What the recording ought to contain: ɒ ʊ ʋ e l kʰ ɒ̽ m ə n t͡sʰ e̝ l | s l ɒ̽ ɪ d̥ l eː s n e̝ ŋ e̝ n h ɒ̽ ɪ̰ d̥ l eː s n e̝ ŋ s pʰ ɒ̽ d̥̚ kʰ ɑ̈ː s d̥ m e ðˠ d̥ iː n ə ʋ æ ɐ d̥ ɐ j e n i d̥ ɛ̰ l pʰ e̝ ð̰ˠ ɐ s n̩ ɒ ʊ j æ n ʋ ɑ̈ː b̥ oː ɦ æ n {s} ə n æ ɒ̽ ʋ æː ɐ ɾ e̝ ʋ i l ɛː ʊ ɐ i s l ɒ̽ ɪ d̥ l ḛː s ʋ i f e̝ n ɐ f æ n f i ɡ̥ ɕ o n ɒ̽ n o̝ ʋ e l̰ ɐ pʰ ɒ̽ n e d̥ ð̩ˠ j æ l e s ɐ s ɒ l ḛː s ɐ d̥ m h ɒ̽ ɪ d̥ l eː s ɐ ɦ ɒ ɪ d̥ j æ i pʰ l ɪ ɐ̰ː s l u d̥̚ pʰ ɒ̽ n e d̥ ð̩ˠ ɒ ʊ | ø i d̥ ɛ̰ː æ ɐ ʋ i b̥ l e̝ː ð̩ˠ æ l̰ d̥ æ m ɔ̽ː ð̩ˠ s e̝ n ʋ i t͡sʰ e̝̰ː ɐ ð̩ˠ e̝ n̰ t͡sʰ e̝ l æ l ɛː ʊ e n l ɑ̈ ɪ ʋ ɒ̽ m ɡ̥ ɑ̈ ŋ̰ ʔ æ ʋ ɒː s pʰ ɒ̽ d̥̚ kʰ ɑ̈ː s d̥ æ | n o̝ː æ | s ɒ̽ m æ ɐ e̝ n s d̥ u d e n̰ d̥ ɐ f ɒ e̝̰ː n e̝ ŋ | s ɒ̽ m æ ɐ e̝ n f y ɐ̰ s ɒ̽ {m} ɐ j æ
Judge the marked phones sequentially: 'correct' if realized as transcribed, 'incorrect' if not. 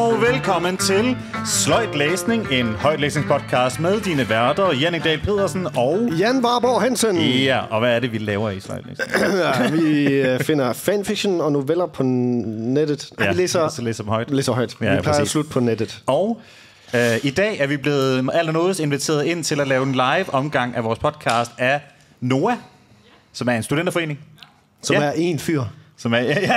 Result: correct, correct

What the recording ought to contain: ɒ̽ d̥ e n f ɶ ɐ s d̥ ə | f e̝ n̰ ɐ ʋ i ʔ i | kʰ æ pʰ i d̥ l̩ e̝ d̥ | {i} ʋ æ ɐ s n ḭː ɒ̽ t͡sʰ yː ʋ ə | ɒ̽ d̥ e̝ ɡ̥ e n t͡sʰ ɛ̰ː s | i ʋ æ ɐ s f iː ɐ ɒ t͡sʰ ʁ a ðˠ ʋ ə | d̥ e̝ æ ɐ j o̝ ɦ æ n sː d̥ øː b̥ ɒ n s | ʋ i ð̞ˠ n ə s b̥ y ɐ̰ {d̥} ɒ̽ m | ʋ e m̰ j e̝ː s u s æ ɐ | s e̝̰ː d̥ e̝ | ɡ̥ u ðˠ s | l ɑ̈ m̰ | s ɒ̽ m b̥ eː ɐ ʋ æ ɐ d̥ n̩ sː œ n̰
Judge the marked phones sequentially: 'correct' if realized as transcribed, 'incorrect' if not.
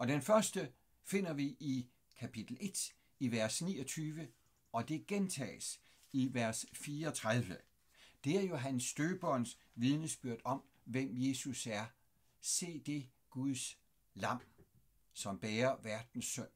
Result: correct, correct

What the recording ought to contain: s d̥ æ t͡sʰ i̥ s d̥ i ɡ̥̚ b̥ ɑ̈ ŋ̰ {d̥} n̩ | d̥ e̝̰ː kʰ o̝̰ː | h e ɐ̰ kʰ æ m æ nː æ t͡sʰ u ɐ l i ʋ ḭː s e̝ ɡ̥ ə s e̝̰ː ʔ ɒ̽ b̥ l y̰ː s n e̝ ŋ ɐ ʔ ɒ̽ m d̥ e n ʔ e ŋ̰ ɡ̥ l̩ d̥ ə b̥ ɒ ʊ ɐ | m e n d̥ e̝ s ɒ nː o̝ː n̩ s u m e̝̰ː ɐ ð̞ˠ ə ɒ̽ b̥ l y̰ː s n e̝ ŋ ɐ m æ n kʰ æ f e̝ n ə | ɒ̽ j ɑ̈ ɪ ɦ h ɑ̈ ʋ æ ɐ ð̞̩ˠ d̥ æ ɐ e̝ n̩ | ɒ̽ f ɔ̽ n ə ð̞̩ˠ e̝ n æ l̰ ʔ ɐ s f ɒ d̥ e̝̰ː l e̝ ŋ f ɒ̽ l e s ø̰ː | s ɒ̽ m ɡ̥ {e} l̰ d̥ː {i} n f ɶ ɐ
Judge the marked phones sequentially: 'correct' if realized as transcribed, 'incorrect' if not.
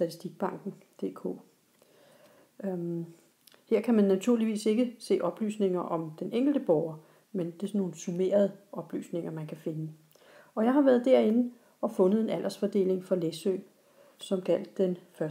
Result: incorrect, incorrect, incorrect

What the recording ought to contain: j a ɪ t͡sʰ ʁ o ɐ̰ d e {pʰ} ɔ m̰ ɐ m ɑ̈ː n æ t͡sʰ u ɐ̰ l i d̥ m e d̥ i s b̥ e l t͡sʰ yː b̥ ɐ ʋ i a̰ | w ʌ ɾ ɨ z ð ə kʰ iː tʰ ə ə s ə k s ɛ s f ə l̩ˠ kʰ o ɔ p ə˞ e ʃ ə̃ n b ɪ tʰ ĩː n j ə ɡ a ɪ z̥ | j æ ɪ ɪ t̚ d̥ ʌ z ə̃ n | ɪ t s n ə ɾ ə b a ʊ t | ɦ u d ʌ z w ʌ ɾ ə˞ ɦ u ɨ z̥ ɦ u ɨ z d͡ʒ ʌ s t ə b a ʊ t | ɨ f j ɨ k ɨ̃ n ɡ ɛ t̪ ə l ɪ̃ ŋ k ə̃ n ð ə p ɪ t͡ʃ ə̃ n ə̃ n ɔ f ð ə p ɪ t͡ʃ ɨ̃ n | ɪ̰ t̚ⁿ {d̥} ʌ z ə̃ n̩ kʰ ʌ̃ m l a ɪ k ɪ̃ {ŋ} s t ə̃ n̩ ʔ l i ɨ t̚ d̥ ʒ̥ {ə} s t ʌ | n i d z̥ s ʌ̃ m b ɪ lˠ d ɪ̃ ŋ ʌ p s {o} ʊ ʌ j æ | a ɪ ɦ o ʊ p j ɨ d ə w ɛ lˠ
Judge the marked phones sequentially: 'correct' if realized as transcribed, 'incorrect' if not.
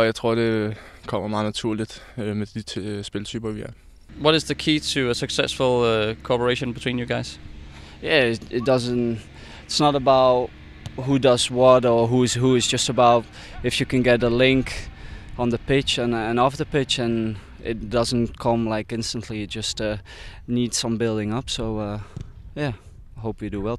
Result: incorrect, correct, incorrect, incorrect, correct

